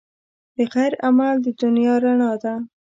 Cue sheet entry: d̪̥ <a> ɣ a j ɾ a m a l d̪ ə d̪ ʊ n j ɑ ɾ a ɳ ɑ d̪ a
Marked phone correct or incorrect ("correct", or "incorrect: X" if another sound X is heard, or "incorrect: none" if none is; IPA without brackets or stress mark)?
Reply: incorrect: ə